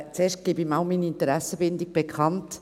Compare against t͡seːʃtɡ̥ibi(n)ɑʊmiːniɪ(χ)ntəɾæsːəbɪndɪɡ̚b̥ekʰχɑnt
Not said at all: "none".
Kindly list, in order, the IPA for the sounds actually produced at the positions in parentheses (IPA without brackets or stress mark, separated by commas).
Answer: m, none